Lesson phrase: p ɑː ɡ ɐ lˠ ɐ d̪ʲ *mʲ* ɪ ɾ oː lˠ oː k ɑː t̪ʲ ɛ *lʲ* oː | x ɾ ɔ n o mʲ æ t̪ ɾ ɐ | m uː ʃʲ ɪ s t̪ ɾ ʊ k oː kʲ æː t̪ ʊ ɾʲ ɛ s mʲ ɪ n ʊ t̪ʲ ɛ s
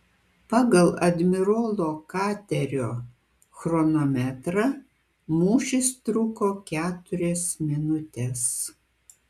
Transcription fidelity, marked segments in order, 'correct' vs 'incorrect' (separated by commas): correct, incorrect